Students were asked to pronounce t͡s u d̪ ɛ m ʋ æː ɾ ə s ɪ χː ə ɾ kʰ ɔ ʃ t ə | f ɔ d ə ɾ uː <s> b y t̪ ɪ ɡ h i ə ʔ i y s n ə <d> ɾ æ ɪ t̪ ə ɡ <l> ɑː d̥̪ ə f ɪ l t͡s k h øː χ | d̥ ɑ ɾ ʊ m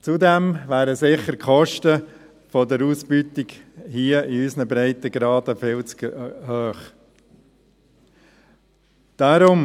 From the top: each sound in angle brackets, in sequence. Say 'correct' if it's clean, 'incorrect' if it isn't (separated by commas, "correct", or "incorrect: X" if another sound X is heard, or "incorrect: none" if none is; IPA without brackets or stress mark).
correct, incorrect: b, incorrect: ɾ